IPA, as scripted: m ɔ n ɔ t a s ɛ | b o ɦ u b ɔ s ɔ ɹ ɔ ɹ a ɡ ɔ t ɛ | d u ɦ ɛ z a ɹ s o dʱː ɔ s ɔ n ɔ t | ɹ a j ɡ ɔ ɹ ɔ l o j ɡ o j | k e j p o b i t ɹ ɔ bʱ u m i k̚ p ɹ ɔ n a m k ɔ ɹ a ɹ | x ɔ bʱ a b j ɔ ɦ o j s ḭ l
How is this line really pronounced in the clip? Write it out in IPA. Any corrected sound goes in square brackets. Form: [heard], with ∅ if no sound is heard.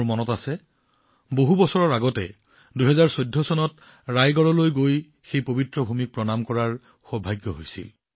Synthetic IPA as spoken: m ɔ n ɔ t a s ɛ | b o ɦ u b ɔ s ɔ ɹ ɔ ɹ a ɡ ɔ t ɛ | d u ɦ ɛ z a ɹ s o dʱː ɔ s ɔ n ɔ t | ɹ a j ɡ ɔ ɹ ɔ l o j ɡ o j | [x] e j p o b i t ɹ ɔ bʱ u m i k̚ p ɹ ɔ n a m k ɔ ɹ a ɹ | x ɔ bʱ a [ɡ] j ɔ ɦ o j s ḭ l